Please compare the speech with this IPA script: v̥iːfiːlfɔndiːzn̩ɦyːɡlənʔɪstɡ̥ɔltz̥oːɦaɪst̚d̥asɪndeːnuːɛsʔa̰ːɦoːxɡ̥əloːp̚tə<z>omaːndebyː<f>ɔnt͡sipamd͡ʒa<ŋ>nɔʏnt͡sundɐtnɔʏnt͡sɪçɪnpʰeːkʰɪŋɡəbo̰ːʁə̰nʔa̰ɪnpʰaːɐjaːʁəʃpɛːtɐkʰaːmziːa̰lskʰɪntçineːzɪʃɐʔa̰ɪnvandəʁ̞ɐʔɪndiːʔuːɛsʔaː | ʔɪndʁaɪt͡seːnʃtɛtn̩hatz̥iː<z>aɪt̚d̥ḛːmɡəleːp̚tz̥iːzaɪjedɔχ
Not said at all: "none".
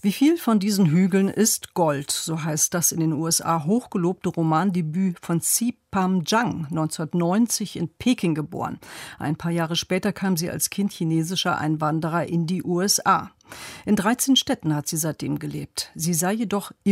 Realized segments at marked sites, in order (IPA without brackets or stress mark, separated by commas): ʁ, f, ŋ, z